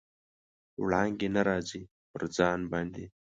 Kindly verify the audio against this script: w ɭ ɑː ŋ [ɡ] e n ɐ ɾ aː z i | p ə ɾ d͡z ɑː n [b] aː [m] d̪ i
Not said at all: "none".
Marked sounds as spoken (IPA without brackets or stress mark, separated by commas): ɡ, b, n